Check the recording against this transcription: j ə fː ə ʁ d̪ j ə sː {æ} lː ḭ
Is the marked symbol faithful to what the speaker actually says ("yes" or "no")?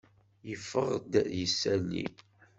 yes